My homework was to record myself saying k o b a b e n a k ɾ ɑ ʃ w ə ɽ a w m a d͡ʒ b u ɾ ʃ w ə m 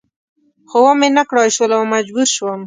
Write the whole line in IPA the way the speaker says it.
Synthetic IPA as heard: x o w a m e n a k ɽ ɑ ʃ w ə l a w m a d͡ʒ b u ɾ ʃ w ə m